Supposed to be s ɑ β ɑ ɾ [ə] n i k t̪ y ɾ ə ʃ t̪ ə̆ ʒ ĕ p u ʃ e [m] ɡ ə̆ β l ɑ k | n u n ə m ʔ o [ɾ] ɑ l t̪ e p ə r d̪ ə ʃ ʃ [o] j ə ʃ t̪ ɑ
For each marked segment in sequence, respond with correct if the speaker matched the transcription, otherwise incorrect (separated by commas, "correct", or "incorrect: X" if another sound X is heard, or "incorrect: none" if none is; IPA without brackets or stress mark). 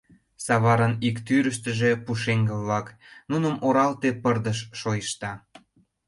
correct, incorrect: ŋ, correct, correct